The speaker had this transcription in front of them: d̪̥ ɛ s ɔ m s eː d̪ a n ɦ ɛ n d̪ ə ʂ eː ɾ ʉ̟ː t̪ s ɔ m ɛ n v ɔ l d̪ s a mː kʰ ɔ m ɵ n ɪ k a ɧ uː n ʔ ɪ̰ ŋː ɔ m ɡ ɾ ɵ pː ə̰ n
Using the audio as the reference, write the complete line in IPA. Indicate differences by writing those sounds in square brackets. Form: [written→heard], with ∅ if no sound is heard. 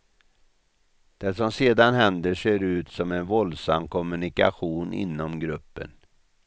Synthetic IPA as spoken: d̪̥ ɛ s ɔ m s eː d̪ a n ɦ ɛ n d̪ ə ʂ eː ɾ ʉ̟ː t̪ s ɔ m ɛ n v ɔ l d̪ s a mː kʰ ɔ m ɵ n ɪ k a ɧ uː n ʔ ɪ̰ [ŋː→nː] ɔ m ɡ ɾ ɵ pː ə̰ n